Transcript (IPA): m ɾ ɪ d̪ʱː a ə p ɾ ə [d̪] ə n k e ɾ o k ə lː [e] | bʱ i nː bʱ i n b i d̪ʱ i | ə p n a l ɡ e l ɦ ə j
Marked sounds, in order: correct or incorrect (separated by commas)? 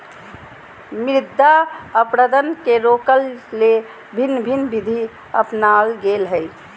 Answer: correct, correct